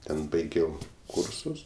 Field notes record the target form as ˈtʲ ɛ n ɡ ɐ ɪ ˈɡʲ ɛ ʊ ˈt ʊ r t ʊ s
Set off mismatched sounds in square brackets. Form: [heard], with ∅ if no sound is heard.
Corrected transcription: ˈtʲ ɛ n [b] ɐ ɪ ˈɡʲ ɛ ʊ [ˈk] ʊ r [s] ʊ s